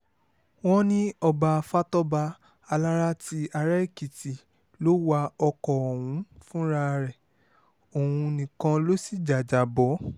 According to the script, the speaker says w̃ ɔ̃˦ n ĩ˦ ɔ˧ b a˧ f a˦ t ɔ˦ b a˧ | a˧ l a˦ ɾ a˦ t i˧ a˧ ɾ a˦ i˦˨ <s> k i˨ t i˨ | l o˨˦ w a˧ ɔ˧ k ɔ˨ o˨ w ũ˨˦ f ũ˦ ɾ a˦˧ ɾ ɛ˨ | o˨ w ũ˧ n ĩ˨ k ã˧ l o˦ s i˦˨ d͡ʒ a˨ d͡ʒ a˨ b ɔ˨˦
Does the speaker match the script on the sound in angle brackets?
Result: no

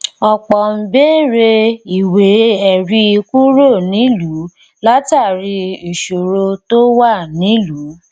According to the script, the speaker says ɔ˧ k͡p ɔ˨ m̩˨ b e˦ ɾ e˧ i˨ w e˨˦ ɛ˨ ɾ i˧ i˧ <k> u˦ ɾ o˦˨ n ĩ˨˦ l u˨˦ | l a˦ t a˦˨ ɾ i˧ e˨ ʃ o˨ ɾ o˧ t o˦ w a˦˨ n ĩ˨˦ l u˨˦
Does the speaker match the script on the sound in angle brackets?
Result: yes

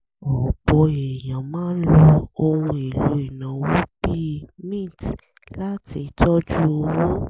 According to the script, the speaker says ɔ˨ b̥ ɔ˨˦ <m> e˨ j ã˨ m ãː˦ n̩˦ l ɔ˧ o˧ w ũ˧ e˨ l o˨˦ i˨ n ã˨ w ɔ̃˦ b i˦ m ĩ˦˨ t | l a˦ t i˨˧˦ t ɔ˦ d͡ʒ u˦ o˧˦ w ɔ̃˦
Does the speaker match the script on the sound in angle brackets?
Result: no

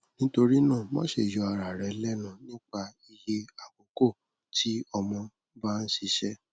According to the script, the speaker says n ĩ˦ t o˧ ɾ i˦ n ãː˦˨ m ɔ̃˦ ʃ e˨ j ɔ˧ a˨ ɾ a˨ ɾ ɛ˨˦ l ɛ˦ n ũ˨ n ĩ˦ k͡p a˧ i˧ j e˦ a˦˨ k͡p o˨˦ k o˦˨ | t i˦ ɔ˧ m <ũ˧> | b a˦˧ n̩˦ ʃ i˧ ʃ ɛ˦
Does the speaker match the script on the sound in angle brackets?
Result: no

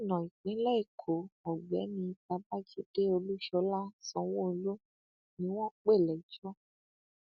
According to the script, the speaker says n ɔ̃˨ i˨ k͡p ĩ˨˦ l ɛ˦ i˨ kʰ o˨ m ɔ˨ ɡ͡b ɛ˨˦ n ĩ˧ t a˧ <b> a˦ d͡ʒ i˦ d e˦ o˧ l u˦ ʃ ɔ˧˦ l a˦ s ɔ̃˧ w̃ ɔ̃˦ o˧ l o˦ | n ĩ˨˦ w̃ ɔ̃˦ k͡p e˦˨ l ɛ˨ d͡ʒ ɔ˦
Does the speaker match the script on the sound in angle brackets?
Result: yes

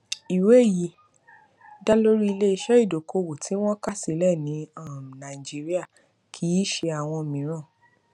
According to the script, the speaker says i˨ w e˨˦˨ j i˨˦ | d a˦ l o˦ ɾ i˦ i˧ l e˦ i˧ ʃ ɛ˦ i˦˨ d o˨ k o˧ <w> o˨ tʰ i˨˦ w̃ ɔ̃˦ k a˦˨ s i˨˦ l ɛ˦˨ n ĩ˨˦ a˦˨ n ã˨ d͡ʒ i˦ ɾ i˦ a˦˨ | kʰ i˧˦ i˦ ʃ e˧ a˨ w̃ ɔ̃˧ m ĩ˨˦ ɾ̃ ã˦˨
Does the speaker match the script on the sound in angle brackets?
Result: yes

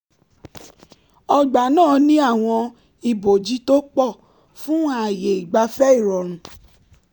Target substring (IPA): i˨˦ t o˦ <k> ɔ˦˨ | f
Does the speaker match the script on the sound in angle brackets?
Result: no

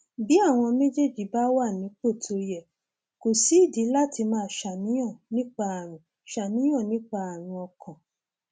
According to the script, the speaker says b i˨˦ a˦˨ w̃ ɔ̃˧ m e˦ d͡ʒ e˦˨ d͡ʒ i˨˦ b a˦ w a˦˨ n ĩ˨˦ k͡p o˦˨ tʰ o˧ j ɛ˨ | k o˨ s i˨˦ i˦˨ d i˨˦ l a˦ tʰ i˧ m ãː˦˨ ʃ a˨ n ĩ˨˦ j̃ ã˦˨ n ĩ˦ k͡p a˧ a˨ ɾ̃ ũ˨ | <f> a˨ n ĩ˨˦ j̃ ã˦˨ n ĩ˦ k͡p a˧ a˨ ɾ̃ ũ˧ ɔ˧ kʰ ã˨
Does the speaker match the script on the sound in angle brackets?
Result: no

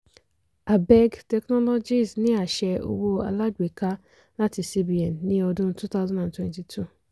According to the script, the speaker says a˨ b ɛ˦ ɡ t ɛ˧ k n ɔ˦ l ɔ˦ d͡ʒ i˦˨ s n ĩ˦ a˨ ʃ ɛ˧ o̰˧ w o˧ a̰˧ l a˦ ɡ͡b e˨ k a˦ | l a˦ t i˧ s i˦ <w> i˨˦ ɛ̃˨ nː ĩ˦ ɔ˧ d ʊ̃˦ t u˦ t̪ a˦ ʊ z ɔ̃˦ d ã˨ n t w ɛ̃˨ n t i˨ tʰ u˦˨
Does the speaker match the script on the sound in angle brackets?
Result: no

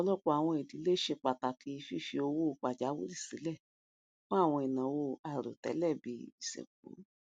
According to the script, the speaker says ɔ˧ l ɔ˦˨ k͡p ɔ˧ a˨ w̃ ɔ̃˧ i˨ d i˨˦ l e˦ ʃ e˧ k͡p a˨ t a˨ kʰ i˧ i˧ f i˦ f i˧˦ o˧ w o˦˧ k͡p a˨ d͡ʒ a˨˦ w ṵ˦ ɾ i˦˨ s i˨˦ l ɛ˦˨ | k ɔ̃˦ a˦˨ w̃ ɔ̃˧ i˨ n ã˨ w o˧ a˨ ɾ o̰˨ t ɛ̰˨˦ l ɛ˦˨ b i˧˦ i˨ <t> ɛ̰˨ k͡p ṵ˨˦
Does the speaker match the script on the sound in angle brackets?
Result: no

